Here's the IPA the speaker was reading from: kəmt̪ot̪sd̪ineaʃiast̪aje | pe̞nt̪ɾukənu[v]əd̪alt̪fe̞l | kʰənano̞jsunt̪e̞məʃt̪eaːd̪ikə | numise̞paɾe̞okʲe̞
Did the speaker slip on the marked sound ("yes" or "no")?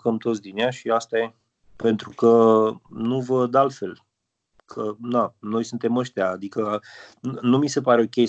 no